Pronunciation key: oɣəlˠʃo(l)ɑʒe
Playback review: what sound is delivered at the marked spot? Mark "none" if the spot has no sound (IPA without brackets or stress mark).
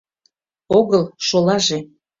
l